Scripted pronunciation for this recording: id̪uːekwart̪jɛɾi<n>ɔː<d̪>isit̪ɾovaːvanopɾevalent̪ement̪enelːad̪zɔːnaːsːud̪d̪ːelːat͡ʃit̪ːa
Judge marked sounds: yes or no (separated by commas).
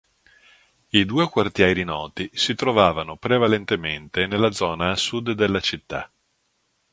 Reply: yes, no